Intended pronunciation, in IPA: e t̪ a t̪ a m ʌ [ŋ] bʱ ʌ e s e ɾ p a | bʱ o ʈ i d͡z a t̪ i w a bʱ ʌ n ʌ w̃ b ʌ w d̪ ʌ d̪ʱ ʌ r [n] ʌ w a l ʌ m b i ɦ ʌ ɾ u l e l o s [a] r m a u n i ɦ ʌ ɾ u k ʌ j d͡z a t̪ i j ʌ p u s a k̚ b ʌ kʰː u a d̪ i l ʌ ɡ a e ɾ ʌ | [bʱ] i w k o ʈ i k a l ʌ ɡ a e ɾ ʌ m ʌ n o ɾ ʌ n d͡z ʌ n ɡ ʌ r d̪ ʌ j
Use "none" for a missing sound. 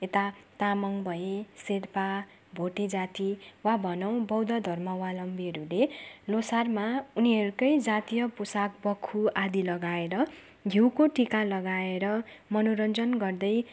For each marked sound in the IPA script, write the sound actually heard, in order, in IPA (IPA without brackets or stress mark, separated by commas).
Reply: ŋ, m, a, ɡʱ